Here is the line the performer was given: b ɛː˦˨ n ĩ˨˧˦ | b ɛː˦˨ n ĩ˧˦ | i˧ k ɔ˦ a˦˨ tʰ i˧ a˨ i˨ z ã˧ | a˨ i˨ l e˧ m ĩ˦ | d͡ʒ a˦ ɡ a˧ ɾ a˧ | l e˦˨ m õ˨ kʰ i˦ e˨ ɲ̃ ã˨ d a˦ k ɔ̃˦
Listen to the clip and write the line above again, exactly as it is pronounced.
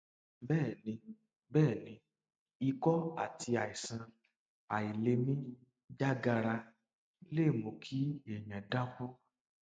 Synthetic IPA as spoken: b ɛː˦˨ n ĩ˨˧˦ | b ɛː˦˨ n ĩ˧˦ | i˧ k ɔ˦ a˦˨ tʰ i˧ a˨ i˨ s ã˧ | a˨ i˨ l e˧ m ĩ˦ | d͡ʒ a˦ ɡ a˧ ɾ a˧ | l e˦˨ m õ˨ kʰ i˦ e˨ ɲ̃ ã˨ d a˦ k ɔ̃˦

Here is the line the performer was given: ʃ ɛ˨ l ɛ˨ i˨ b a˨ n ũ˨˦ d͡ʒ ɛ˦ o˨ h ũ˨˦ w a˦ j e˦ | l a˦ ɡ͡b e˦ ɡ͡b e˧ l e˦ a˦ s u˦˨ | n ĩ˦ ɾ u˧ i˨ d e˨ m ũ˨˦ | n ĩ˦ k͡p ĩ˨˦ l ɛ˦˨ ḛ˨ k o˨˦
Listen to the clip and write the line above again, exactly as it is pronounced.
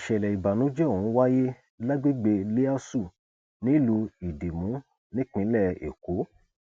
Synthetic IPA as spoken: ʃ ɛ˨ l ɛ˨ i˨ b a˨ n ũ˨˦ d͡ʒ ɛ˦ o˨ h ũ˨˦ w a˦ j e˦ | l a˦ ɡ͡b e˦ ɡ͡b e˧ l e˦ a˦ s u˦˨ | n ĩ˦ l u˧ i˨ d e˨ m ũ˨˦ | n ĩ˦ k͡p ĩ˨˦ l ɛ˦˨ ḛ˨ k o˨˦

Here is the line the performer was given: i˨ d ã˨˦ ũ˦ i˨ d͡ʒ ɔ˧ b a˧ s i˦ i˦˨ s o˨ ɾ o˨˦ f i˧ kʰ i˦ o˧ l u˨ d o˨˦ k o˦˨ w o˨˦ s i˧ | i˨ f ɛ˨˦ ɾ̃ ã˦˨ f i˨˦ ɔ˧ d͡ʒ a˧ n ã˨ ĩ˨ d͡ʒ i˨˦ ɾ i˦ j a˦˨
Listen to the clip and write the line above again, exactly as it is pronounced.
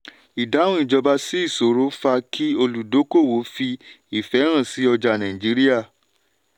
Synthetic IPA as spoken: i˨ d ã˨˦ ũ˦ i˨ d͡ʒ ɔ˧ b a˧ s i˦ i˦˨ s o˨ ɾ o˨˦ f a˧ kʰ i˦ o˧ l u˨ d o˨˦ k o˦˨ w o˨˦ f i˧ | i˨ f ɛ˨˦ ɾ̃ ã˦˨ s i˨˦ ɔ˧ d͡ʒ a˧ n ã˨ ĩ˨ d͡ʒ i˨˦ ɾ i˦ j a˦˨

